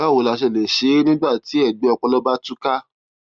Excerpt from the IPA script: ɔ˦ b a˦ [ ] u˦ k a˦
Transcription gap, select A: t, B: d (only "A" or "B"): A